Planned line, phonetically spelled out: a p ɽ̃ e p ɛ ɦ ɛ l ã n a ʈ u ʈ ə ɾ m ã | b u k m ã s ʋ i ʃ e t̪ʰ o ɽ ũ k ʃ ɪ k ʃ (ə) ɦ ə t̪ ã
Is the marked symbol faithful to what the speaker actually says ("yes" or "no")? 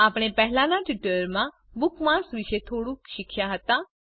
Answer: no